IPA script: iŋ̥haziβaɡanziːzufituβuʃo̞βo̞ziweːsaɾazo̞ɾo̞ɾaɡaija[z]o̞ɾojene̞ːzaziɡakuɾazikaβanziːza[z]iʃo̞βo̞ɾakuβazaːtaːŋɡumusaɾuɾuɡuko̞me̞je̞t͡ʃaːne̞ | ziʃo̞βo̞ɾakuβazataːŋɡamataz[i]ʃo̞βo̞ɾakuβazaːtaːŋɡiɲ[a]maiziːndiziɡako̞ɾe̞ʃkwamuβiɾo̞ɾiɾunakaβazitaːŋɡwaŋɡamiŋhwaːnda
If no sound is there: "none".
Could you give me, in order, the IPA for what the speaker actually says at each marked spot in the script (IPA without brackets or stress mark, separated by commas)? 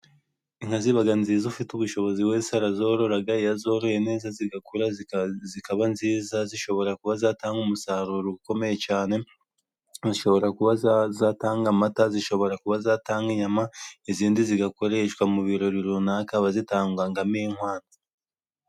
z, z, i, a